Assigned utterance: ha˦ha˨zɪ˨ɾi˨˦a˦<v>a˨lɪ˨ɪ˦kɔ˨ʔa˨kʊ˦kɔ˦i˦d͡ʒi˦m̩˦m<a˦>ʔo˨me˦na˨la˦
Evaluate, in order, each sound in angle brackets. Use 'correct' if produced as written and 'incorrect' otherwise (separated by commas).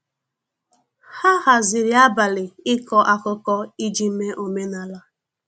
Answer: incorrect, incorrect